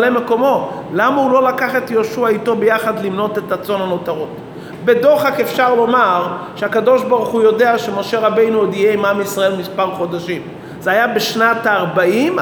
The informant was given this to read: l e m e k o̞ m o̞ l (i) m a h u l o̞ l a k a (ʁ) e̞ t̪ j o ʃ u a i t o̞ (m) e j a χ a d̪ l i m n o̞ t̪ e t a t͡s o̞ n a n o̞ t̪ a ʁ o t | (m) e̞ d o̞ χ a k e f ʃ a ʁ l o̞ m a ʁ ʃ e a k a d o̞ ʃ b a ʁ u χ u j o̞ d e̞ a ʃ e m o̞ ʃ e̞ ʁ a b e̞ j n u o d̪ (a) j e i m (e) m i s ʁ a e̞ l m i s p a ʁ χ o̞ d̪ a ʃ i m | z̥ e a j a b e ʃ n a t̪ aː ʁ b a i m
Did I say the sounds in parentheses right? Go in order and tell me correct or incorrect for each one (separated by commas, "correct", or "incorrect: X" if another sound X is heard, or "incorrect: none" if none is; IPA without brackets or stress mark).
incorrect: a, incorrect: χ, incorrect: b, incorrect: b, incorrect: i, incorrect: a